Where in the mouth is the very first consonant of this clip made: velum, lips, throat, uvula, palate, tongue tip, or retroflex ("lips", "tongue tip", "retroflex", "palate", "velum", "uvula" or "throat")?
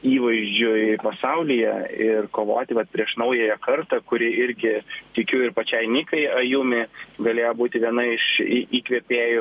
lips